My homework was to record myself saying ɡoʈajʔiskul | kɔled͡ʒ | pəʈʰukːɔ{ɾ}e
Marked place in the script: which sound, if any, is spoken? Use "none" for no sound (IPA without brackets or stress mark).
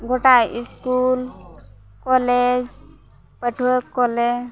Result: l